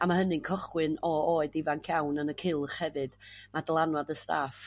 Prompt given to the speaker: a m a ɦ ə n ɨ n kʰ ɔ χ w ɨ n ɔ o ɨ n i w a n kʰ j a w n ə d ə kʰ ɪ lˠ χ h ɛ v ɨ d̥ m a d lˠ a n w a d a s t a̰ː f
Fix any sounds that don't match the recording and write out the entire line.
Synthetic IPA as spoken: a m a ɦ ə n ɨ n kʰ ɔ χ w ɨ n ɔ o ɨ d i v a n kʰ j a w n ə n ə kʰ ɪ lˠ χ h ɛ v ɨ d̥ m a d lˠ a n w a d ə s t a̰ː f